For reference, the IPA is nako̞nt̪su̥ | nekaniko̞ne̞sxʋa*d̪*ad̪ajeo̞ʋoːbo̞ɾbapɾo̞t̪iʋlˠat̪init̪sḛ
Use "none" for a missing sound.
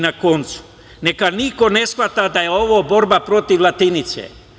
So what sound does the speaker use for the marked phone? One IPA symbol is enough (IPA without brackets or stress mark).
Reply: t̪